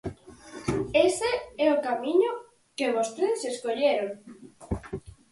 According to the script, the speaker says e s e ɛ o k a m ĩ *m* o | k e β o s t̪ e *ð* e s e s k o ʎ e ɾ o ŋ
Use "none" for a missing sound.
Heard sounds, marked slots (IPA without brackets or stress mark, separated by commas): ɲ, ð